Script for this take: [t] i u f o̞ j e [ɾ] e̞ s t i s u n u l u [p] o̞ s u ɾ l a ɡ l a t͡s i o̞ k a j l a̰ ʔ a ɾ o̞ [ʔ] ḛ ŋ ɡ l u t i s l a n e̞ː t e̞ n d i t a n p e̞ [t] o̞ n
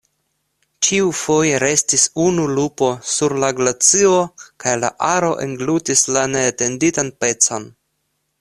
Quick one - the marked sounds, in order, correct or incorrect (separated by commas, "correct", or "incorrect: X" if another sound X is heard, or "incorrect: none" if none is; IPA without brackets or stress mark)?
incorrect: t͡ʃ, correct, correct, correct, incorrect: t͡s